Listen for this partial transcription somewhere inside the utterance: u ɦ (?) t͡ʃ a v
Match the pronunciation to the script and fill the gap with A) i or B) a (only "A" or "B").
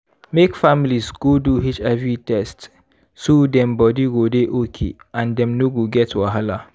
A